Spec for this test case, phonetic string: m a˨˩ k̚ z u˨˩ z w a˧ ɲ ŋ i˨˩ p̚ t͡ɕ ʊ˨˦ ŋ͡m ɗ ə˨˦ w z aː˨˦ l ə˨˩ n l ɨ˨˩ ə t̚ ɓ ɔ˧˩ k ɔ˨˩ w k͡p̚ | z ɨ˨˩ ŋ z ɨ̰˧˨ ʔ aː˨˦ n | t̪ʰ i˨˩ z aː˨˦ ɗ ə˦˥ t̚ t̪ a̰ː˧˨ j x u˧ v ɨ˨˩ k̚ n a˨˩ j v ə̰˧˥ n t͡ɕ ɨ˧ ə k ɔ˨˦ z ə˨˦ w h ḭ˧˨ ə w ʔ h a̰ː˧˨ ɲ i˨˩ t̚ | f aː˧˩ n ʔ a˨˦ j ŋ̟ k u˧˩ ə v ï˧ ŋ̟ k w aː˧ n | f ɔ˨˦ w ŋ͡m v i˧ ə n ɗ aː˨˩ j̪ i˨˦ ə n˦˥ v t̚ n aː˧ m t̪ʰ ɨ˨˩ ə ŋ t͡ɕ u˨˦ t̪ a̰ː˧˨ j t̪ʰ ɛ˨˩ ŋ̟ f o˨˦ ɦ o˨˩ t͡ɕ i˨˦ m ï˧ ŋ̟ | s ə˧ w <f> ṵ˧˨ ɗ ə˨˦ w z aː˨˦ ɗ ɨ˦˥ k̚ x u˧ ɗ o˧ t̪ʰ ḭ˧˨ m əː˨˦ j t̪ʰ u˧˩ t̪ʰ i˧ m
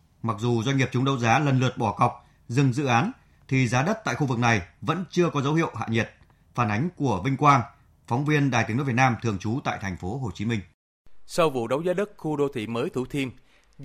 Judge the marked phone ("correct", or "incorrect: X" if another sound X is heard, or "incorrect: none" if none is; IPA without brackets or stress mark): incorrect: v